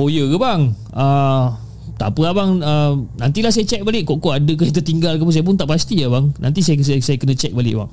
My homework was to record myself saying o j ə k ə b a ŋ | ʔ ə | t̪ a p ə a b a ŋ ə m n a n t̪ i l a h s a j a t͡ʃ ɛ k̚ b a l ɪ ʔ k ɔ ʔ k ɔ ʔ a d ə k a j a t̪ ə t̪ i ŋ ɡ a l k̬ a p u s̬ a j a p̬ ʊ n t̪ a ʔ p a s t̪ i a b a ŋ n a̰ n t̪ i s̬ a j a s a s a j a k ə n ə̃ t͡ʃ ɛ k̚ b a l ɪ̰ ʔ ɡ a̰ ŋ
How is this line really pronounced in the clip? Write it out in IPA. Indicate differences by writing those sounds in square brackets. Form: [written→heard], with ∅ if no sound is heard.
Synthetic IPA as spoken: o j ə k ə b a ŋ | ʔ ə | t̪ a p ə a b a ŋ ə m n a n t̪ i l a h s a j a t͡ʃ ɛ k̚ b a l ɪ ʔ k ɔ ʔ k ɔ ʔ a d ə k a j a t̪ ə t̪ i ŋ ɡ a l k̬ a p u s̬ a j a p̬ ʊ n t̪ a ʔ p a s t̪ i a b a ŋ n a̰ n t̪ i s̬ a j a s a s a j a k ə n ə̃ t͡ʃ ɛ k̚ b a l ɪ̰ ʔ [ɡ→b] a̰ ŋ